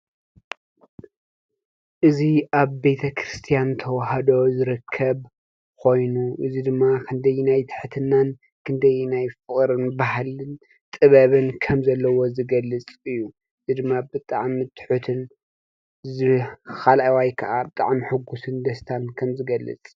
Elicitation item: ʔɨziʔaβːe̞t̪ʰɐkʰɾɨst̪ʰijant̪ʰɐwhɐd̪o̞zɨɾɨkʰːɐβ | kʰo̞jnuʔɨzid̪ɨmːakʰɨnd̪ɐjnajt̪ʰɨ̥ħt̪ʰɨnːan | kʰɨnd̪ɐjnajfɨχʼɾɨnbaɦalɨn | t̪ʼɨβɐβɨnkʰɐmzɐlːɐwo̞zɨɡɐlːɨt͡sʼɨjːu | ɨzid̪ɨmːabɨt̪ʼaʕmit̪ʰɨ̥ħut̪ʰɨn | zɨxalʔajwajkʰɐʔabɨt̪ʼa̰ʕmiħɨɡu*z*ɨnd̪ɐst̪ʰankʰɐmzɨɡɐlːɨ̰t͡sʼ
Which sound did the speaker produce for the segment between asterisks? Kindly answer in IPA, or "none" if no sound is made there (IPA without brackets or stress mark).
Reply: s